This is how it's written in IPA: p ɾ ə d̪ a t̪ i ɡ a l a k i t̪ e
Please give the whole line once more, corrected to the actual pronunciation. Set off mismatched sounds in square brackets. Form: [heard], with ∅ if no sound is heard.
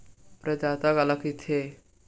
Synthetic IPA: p ɾ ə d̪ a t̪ [a] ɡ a l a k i [t̪ʰ] e